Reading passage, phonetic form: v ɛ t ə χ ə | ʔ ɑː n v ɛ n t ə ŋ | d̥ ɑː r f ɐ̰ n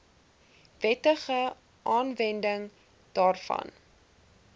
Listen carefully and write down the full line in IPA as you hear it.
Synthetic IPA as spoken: v ɛ t ə χ ə | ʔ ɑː n v ɛ n d ə ŋ | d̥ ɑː r f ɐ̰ n